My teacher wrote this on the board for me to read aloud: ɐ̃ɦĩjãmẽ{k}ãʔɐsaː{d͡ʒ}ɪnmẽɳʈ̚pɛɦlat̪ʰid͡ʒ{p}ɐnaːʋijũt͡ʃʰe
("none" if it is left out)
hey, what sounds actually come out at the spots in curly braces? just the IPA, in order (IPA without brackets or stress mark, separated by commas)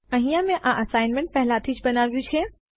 ʔ, none, b